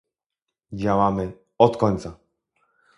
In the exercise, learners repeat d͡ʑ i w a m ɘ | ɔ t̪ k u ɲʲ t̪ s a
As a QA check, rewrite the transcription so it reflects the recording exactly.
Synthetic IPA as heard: d͡ʑ a w a m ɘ | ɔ t̪ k ɔ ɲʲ t̪ s a